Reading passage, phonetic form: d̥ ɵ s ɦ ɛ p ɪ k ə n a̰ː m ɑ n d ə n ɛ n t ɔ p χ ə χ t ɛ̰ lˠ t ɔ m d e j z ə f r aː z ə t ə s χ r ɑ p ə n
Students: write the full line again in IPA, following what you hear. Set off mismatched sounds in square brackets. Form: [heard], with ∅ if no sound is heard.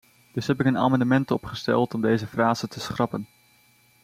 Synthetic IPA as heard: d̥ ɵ s ɦ ɛ p ɪ k ə n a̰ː m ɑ n d ə [m] ɛ n t ɔ p χ ə [s] t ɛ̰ lˠ t ɔ m d e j z ə f r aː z ə t ə s χ r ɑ p ə n

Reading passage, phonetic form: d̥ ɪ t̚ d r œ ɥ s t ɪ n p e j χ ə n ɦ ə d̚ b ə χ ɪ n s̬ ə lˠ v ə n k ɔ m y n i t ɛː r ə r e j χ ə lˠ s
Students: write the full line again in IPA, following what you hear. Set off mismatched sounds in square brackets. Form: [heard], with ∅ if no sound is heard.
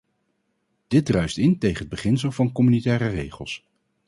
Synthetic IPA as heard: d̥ ɪ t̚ d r œ ɥ s t ɪ n [t] e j χ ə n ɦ ə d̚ b ə χ ɪ n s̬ ə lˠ v [ɑ] n k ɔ m y n i t ɛː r ə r e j χ ə lˠ s

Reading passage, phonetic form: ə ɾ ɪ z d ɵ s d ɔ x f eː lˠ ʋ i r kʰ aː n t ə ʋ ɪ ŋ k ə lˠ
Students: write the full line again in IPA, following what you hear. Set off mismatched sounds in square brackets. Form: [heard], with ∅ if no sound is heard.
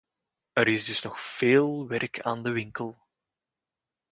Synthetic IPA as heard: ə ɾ ɪ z d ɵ s [n] ɔ x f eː lˠ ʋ [ɛ] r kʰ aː n [d] ə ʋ ɪ ŋ k ə lˠ

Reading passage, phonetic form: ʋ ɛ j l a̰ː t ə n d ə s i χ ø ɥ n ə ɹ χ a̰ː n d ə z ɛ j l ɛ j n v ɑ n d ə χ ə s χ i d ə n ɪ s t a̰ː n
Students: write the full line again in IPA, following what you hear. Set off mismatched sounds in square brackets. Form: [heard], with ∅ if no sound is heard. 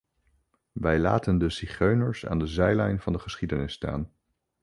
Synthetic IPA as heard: ʋ ɛ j l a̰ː t ə n d ə s i χ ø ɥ n ə ɹ [s] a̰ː n d ə z ɛ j l ɛ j n v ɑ n d ə χ ə s χ i d ə n ɪ s t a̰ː n

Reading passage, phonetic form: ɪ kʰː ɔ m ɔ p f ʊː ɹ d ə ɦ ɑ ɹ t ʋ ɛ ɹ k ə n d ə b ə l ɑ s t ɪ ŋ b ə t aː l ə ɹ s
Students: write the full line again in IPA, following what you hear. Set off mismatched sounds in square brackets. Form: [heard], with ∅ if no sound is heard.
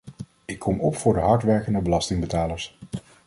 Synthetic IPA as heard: ɪ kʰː ɔ m ɔ p f ʊː ɹ d ə ɦ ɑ ɹ t ʋ ɛ ɹ k ə n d ə b ə l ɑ s t ɪ ŋ b ə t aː l ə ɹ s

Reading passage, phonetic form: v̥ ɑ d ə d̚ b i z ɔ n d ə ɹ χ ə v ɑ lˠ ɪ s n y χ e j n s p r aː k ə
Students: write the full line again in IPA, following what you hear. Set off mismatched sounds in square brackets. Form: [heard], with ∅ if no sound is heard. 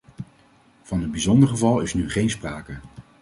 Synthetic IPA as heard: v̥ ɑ [n] ə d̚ b i z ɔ n d ə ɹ χ ə v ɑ lˠ ɪ s n y χ e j n s p r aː k ə

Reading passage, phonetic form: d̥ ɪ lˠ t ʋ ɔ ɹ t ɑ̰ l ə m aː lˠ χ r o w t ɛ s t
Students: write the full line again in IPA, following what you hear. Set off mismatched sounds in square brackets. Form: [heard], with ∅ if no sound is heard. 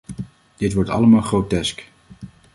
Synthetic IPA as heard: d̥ ɪ [∅] t ʋ ɔ ɹ t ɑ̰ l ə m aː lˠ χ r o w t ɛ s [k]

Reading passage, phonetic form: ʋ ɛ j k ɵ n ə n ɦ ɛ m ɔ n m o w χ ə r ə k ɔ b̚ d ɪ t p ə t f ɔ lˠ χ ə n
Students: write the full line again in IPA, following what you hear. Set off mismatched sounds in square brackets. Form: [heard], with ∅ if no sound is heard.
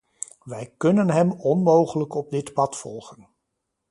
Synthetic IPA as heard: ʋ ɛ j k ɵ n ə n ɦ ɛ m ɔ n m o w χ ə [l] ə k ɔ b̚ d ɪ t p [ɑ] t f ɔ lˠ χ ə n

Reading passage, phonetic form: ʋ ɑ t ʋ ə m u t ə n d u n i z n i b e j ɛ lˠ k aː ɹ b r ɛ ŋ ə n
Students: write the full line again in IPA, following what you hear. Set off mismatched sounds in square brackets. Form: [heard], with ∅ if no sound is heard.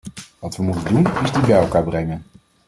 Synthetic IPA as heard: ʋ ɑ t ʋ ə m u t ə n d u n [ɪ] z [d] i b [ɛ] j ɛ lˠ k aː ɹ b r ɛ ŋ ə n

